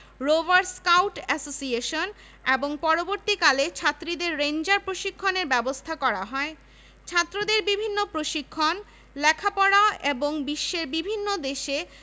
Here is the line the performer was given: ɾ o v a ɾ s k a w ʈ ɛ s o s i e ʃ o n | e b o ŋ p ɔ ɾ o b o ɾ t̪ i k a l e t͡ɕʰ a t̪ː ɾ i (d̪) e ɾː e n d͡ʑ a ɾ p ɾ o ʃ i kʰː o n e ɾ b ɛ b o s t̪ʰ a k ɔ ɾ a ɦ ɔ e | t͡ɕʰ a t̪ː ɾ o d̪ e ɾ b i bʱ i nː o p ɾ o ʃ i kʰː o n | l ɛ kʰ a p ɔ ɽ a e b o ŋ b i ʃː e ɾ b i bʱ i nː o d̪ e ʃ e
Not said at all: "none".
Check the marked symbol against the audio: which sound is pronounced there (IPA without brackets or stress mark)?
d̪